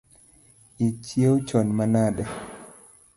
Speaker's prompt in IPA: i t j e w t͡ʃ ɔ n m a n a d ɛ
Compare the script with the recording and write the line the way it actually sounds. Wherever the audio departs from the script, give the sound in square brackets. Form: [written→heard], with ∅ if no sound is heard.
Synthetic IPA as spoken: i [t→t͡ʃ] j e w t͡ʃ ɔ n m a n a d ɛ